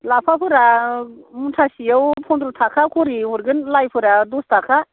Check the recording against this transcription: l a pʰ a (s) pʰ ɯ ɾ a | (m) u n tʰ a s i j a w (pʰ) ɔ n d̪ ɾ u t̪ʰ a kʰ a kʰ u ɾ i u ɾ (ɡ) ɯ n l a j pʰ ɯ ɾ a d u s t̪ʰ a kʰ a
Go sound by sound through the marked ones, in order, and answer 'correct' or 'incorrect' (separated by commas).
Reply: incorrect, correct, correct, correct